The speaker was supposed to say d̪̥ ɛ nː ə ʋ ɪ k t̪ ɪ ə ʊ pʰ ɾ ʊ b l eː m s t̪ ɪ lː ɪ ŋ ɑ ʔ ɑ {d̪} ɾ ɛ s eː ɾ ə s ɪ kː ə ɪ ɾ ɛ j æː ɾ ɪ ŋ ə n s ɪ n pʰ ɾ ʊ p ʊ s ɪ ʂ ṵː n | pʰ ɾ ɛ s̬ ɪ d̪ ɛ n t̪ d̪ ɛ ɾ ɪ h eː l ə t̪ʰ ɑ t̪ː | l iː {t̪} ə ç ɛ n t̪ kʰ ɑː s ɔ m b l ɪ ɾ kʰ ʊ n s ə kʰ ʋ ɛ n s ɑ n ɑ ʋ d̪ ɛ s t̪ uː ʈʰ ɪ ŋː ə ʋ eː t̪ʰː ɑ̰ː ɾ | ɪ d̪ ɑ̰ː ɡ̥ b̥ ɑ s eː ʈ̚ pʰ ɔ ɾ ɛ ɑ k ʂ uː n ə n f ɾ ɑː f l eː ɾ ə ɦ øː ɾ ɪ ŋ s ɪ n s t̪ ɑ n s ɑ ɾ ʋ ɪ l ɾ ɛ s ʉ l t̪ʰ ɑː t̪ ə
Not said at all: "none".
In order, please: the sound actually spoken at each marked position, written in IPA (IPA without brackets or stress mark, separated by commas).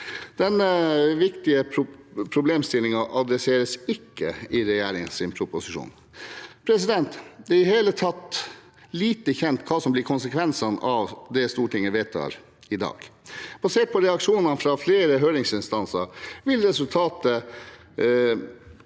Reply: d̪, t̪